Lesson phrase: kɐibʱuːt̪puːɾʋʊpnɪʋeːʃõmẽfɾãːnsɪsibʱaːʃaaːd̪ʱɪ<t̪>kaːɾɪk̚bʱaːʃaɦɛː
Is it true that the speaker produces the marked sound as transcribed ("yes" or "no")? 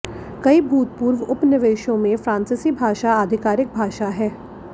no